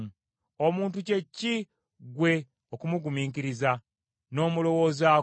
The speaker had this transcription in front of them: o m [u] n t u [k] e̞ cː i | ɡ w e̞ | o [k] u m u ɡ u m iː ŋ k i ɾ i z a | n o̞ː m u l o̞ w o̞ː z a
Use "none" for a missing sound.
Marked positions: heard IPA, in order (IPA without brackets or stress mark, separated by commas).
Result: uː, c, k